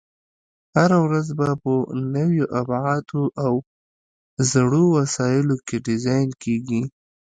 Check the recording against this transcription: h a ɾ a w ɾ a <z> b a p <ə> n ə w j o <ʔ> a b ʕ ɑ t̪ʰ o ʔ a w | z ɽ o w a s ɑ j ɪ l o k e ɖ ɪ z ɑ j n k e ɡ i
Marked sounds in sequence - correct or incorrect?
correct, correct, correct

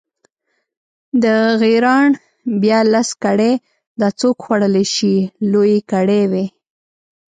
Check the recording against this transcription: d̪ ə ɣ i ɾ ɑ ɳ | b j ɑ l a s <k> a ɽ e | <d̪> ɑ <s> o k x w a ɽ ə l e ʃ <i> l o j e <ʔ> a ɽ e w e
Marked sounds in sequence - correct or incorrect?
correct, correct, incorrect, correct, incorrect

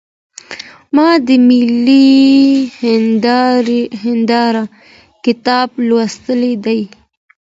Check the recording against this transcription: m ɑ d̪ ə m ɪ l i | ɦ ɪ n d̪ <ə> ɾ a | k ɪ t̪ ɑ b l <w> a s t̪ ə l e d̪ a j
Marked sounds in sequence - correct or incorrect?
incorrect, correct

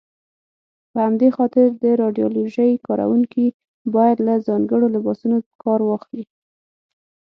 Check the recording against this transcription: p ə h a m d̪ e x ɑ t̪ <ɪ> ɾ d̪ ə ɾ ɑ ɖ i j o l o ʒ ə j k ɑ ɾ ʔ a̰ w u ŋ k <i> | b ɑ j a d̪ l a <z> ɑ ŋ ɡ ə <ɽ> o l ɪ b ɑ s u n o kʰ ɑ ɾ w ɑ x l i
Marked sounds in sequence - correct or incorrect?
correct, correct, correct, correct

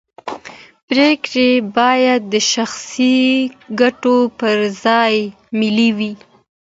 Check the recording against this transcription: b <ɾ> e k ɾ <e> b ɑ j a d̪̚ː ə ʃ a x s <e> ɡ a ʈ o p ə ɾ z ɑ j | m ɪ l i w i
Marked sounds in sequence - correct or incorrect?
correct, correct, incorrect

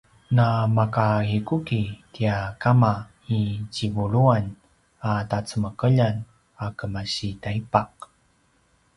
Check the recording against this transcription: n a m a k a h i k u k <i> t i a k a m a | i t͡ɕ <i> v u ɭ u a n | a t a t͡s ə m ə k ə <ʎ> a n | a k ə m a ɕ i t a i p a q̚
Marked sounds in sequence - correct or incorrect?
correct, correct, correct

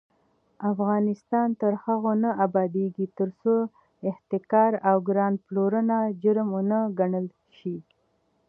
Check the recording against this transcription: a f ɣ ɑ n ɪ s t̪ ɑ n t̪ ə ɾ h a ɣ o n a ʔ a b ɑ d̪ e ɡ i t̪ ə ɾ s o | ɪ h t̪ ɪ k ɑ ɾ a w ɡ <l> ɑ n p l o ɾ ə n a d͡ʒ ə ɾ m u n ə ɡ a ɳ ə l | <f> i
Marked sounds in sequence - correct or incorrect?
incorrect, incorrect

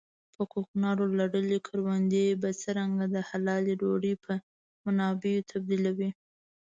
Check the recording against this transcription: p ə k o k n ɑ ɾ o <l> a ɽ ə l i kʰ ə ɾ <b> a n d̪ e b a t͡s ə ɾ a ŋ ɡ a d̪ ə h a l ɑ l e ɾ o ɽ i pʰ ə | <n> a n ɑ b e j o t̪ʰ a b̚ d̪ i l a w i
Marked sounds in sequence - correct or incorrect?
correct, incorrect, incorrect

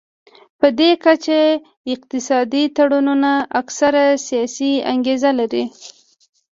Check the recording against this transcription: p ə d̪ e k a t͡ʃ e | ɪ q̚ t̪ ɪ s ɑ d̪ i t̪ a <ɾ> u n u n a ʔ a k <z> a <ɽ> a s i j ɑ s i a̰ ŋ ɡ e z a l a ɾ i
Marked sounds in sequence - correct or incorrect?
incorrect, incorrect, incorrect

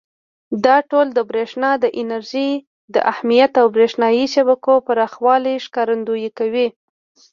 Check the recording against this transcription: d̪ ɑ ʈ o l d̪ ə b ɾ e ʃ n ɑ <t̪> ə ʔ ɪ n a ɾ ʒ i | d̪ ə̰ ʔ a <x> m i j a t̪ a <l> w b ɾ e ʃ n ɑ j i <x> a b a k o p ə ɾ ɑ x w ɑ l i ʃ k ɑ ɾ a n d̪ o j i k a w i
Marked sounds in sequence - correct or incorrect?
incorrect, incorrect, incorrect, incorrect

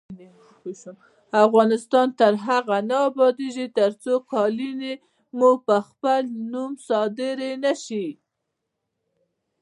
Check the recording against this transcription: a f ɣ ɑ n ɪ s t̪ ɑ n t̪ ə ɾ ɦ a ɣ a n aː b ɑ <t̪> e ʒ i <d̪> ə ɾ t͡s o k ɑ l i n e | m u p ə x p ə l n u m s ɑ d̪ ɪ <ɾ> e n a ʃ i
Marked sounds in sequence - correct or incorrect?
incorrect, incorrect, correct

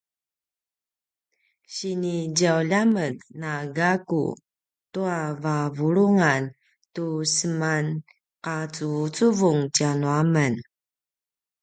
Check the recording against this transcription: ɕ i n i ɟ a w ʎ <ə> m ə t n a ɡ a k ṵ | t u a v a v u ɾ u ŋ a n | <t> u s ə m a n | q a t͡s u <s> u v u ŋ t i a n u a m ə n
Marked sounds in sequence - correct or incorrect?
incorrect, correct, incorrect

